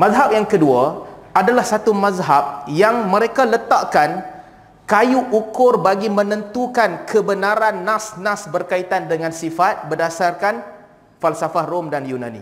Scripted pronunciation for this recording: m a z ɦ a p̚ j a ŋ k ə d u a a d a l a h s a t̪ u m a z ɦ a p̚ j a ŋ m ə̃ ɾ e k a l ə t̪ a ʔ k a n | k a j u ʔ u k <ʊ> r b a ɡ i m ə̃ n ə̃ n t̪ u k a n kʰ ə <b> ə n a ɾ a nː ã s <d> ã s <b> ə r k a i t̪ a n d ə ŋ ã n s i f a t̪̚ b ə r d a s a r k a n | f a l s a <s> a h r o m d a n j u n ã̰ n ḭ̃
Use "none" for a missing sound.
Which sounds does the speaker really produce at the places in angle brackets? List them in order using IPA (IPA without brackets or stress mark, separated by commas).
ʊ, b, n, b, f